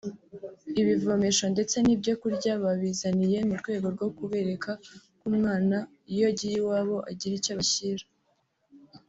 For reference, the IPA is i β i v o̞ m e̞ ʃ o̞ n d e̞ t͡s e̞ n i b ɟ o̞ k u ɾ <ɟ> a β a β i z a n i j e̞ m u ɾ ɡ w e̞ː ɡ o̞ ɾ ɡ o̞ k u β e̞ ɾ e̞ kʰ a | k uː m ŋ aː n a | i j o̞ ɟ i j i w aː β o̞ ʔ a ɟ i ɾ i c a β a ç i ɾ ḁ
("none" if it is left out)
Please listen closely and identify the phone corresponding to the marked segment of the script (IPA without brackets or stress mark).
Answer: ɟ